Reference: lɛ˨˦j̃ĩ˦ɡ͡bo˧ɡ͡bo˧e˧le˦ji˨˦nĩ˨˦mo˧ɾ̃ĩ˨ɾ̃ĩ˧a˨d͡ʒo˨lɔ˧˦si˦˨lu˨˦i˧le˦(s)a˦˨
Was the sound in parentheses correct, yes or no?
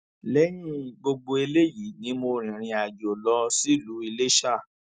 no